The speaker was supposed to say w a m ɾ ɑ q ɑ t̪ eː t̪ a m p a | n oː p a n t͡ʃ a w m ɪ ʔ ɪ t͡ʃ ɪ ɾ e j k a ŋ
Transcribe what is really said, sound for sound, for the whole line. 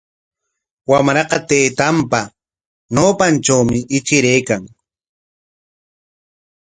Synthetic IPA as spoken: w a m ɾ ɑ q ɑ t̪ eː t̪ a m p a | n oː p a n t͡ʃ a w m ɪ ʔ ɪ t͡ʃ ɪ ɾ e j k a ŋ